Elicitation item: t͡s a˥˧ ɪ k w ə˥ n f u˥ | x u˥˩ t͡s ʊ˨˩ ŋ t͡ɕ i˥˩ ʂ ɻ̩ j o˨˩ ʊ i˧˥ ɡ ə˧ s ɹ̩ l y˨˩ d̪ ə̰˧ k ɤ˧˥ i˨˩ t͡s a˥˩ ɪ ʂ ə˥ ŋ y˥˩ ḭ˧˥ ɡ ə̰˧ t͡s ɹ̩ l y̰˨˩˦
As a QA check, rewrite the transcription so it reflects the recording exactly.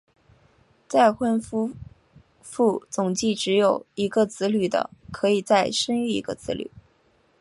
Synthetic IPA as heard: t͡s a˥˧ ɪ x w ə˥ n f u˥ | f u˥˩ t͡s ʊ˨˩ ŋ t͡ɕ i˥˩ ʈ͡ʂ ɻ̩ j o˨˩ ʊ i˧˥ ɡ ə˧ t͡s ɹ̩ l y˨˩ d̪ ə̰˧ kʰ ɤ˧˥ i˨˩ t͡s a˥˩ ɪ ʂ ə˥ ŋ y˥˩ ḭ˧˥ ɡ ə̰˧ t͡s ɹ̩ l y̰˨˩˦